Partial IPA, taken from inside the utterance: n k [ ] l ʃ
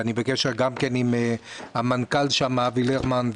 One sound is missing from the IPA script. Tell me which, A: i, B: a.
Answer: B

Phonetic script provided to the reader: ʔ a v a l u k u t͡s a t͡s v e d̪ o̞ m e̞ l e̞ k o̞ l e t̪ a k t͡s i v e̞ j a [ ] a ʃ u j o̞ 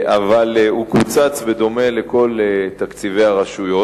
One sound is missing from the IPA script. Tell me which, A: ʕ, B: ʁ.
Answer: B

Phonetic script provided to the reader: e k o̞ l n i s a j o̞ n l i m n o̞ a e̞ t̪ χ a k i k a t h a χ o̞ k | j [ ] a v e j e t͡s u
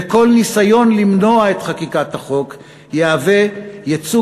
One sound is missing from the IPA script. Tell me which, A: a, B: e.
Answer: B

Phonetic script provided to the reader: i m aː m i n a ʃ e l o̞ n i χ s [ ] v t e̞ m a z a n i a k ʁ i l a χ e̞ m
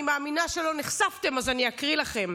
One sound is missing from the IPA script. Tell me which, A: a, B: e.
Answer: A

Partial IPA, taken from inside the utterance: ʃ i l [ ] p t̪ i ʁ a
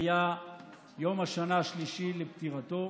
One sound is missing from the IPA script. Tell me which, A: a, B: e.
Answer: B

